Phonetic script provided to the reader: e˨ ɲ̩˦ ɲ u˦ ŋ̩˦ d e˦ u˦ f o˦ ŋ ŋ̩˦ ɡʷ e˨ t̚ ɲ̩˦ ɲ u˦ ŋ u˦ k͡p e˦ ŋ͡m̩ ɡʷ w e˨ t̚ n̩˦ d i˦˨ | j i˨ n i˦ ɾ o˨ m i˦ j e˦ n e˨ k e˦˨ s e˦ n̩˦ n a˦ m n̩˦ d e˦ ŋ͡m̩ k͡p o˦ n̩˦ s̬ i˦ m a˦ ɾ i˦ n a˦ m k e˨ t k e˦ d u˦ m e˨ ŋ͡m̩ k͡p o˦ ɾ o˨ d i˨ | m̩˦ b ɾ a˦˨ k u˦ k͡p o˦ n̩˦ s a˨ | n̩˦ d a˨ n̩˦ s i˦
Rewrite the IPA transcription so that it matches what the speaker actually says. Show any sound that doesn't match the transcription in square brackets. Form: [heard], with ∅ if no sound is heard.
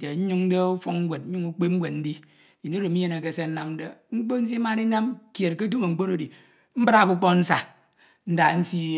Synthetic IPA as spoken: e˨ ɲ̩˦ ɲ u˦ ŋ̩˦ d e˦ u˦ f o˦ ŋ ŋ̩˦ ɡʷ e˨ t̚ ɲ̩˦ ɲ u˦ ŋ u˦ k͡p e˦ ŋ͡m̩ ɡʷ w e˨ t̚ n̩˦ d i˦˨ | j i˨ n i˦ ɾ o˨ m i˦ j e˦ n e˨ k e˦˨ s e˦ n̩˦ n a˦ m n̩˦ d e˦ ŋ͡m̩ k͡p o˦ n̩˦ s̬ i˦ m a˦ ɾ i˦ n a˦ m k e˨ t k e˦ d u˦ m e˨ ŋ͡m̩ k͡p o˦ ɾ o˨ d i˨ | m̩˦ b ɾ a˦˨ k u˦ k͡p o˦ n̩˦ s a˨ | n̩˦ d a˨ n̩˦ s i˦

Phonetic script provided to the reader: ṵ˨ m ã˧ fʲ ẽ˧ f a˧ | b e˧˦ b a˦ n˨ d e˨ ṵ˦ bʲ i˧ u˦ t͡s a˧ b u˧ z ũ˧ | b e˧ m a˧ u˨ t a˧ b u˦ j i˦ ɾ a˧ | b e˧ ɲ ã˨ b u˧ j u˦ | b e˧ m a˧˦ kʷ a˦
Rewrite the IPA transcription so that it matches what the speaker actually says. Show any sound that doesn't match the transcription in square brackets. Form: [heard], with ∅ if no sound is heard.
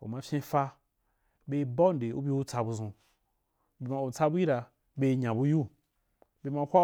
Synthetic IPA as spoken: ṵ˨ m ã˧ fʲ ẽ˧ f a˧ | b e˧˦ b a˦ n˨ d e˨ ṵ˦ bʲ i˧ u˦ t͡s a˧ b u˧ z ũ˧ | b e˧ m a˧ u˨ [t͡s] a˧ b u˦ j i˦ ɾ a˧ | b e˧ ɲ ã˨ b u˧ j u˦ | b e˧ m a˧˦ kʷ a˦

